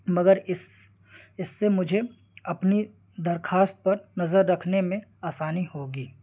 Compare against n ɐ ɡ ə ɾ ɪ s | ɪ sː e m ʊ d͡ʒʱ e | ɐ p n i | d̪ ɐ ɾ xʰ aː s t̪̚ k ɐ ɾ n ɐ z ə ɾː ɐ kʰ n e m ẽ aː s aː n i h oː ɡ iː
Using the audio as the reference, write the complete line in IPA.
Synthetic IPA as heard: m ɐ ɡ ə ɾ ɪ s | ɪ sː e m ʊ d͡ʒʱ e | ɐ p n i | d̪ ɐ ɾ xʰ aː s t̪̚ p ɐ ɾ n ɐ z ə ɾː ɐ kʰ n e m ẽ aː s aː n i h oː ɡ iː

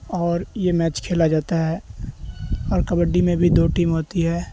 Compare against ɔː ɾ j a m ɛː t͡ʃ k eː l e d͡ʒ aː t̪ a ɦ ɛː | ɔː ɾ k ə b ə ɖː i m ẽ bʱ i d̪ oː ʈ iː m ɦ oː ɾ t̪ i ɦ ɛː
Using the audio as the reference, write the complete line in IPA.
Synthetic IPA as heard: ɔː ɾ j e m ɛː t͡ʃ kʰ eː l a d͡ʒ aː t̪ a ɦ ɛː | ɔː ɾ k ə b ə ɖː i m ẽ bʱ i d̪ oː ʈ iː m ɦ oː t̪ i ɦ ɛː

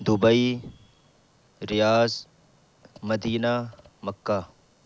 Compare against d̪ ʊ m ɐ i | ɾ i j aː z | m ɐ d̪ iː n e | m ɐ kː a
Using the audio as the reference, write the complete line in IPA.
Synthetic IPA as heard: d̪ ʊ b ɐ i | ɾ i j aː z | m ɐ d̪ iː n a | m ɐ kː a

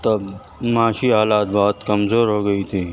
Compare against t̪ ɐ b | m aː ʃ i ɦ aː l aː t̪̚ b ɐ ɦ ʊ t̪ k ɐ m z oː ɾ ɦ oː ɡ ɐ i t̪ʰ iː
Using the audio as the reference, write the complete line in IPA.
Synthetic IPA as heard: t̪ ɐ b | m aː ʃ i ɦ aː l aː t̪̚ b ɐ ɦ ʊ t̪ k ɐ m z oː ɾ ɦ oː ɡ ɐ i t̪ʰ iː

